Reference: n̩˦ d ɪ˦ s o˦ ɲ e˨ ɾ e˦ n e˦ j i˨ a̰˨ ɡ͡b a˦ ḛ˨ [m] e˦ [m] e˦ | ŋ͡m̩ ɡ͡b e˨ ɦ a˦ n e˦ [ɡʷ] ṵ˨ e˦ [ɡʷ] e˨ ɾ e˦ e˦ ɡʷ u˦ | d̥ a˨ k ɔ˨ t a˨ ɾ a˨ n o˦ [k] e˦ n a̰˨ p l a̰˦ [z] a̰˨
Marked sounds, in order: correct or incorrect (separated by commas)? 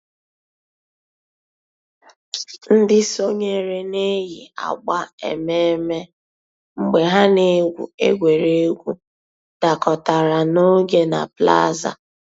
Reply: correct, correct, correct, correct, incorrect, correct